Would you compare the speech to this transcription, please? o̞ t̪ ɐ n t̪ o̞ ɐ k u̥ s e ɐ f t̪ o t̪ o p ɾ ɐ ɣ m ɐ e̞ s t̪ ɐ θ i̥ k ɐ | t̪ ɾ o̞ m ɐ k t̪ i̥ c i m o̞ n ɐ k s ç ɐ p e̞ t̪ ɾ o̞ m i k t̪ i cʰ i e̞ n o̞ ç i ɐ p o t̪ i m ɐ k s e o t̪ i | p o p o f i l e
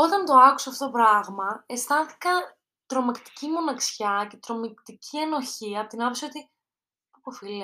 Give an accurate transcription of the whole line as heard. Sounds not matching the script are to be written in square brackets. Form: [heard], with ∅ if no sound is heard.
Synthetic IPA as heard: o̞ t̪ ɐ n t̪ o̞ ɐ k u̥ s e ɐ f t̪ o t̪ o p ɾ ɐ ɣ m ɐ e̞ s t̪ ɐ θ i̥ k ɐ | t̪ ɾ o̞ m ɐ k t̪ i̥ c i m o̞ n ɐ k s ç ɐ [c] e̞ t̪ ɾ o̞ m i k t̪ i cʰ i e̞ n o̞ ç i ɐ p o t̪ i [n] ɐ [p] s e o t̪ i | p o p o f i l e